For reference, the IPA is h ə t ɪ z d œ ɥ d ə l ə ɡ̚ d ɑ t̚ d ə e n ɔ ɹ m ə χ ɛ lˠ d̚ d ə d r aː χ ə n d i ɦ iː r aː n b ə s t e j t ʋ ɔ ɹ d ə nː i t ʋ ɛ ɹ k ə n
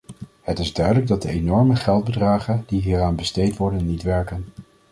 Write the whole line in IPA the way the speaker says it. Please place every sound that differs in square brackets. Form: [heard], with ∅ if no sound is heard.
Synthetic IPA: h ə t ɪ z d œ ɥ d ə l ə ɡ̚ d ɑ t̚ d ə e n ɔ ɹ m ə χ ɛ lˠ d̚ [b] ə d r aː χ ə n d i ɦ iː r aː n b ə s t e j t ʋ ɔ ɹ d ə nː i t ʋ ɛ ɹ k ə n

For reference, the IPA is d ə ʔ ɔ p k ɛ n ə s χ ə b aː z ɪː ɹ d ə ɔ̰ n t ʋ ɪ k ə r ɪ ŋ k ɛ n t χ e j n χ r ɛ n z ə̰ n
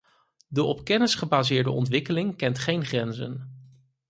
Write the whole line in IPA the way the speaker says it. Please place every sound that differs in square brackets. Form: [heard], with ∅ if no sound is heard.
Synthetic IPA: d ə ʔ ɔ p k ɛ n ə s χ ə b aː z ɪː ɹ d ə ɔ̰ n t ʋ ɪ k ə [l] ɪ ŋ k ɛ n t χ e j n χ r ɛ n z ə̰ n

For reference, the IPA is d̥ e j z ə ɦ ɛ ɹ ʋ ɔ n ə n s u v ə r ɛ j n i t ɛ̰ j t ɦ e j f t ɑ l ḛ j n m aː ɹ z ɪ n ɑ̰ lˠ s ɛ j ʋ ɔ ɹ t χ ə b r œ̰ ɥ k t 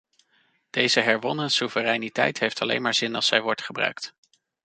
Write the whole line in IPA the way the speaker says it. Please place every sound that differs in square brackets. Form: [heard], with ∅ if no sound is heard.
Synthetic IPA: d̥ e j z ə ɦ ɛ ɹ ʋ ɔ n ə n s u v ə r ɛ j n i t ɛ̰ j t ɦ e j f t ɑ l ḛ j n m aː ɹ z ɪ n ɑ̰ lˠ s ɛ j ʋ ɔ ɹ t χ ə b r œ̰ ɥ k t

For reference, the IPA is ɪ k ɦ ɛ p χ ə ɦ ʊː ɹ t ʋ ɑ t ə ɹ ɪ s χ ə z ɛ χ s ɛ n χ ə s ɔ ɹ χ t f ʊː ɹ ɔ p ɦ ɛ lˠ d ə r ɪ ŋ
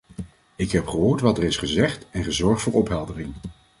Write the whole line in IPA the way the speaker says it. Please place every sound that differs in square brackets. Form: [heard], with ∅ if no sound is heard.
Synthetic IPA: ɪ k ɦ ɛ p χ ə ɦ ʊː ɹ t ʋ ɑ t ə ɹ ɪ s χ ə z ɛ χ [t] ɛ n χ ə [z] ɔ ɹ χ t f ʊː ɹ ɔ p ɦ ɛ lˠ d ə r ɪ ŋ

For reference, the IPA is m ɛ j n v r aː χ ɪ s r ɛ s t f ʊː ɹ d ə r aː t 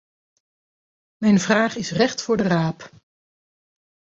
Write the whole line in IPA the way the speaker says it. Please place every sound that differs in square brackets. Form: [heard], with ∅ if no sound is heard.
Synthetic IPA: m ɛ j n v r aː χ ɪ s r ɛ [χ] t f ʊː ɹ d ə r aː [p]

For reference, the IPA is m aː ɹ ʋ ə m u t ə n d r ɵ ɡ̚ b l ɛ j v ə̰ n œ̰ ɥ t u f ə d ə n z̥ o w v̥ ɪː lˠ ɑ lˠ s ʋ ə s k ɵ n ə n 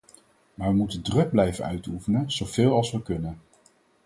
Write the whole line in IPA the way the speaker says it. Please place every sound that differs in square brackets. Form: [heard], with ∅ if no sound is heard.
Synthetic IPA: m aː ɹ ʋ ə m u t ə n d r ɵ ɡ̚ b l ɛ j v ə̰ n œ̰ ɥ t u f ə [n] ə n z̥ o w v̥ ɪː lˠ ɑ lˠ s ʋ ə [∅] k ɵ n ə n

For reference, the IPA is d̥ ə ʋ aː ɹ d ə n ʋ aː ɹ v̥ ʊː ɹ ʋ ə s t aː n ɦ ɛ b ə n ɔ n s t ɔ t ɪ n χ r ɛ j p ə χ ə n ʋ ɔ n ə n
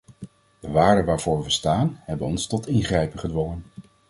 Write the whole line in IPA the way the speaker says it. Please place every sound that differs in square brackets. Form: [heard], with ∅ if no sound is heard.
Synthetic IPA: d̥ ə ʋ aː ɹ d ə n ʋ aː ɹ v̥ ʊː ɹ ʋ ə s t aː n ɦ ɛ b ə n ɔ n s t ɔ t ɪ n χ r ɛ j p ə χ ə [d] ʋ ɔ [ŋ] ə n

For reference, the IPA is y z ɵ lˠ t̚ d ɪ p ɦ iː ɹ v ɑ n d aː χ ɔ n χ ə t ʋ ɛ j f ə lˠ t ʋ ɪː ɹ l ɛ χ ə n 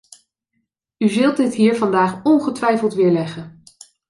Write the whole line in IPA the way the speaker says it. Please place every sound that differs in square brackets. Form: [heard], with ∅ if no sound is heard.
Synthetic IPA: y z ɵ lˠ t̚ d ɪ [t] ɦ iː ɹ v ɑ n d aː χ ɔ n χ ə t ʋ ɛ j f ə lˠ t ʋ ɪː ɹ l ɛ χ ə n

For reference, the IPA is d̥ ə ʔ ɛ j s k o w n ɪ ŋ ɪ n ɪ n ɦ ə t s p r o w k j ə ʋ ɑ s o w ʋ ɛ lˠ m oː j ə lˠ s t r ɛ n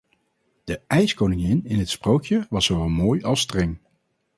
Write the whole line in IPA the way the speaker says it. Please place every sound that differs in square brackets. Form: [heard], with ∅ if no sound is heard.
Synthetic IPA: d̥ ə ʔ ɛ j s k o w n ɪ ŋ ɪ n ɪ n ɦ ə t s p r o w k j ə ʋ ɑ s o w ʋ ɛ lˠ m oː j [ɑ] lˠ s t r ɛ [ŋ]

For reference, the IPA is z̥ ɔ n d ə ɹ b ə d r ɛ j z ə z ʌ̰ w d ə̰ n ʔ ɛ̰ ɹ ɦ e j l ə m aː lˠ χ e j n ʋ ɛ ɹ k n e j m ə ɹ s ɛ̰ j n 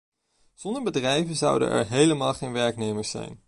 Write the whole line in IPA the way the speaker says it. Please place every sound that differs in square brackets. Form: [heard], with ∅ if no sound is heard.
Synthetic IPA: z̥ ɔ n d ə ɹ b ə d r ɛ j [v] ə z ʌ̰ w d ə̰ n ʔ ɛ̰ ɹ ɦ e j l ə m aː lˠ χ e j n ʋ ɛ ɹ k n e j m ə ɹ s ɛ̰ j n

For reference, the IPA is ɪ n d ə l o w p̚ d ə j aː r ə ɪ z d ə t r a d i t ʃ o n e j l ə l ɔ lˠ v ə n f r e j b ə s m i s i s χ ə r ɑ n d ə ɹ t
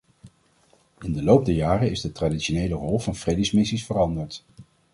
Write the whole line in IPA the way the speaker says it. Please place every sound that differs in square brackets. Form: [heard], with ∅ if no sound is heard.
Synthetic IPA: ɪ n d ə l o w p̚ d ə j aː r ə ɪ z d ə t r a d i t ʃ o n e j l ə [r] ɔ lˠ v [ɑ] n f r e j [d] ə s m [ɪ] s i s [f] ə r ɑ n d ə ɹ t

